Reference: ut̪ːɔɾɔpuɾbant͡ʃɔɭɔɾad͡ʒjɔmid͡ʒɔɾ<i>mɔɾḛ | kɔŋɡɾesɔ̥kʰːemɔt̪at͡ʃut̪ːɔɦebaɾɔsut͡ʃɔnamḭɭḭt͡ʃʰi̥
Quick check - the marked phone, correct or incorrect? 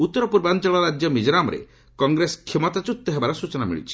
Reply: incorrect: a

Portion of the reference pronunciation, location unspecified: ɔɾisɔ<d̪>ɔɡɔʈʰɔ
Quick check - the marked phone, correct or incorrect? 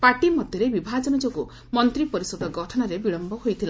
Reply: correct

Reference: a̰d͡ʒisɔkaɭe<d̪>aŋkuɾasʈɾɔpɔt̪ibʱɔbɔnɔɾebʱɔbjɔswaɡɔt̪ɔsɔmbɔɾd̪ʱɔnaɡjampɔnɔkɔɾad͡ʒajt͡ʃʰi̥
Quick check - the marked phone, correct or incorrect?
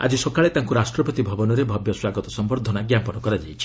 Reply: incorrect: t̪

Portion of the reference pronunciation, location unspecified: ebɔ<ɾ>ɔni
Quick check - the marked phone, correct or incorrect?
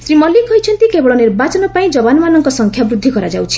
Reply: incorrect: ɭ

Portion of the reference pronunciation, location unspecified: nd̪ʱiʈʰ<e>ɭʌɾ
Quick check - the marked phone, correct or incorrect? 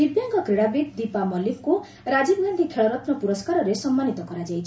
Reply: correct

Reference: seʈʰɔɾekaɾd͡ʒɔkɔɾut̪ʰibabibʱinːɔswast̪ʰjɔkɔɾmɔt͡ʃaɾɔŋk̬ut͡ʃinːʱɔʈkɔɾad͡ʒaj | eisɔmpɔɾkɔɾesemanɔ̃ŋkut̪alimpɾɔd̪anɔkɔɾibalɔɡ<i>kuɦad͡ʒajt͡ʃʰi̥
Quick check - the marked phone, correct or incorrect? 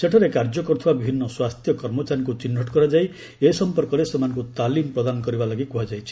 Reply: correct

